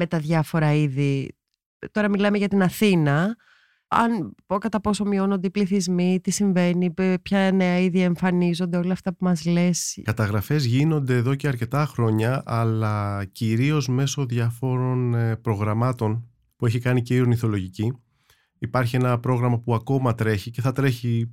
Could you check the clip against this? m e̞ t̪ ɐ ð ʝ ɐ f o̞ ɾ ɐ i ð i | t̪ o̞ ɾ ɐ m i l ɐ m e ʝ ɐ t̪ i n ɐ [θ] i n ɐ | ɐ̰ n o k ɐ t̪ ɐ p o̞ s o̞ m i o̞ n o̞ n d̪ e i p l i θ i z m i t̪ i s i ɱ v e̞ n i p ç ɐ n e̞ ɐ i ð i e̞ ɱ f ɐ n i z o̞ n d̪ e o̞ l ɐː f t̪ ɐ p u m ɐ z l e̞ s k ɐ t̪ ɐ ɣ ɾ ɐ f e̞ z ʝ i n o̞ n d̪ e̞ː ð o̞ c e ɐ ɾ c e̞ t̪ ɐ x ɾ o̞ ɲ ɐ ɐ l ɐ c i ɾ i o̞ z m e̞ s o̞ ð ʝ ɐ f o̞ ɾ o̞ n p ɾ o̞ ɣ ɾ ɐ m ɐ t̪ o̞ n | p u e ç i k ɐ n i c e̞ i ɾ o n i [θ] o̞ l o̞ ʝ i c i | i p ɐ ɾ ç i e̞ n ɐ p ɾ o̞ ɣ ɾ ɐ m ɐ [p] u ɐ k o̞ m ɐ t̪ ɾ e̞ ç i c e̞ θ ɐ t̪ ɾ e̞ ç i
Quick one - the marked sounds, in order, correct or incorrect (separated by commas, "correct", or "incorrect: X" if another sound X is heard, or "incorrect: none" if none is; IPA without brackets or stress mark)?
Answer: correct, correct, correct